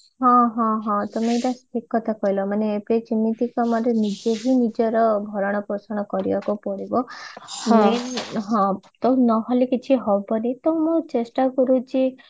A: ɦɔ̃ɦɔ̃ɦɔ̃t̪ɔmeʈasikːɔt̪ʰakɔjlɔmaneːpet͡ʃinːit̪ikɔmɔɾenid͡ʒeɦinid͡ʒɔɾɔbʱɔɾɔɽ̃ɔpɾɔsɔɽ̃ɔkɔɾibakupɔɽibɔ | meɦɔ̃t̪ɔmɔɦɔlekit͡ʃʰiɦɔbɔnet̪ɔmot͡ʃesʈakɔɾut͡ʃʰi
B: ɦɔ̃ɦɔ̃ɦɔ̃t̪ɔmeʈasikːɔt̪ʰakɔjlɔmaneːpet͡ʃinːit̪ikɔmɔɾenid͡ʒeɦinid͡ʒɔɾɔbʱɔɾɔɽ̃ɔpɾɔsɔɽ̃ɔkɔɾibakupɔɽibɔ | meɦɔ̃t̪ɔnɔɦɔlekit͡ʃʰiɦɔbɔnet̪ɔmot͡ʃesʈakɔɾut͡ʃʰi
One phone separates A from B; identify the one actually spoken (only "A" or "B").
B